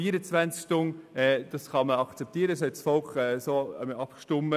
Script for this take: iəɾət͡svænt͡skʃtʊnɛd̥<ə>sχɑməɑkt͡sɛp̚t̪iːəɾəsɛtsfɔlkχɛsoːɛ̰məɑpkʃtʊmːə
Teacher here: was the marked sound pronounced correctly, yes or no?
no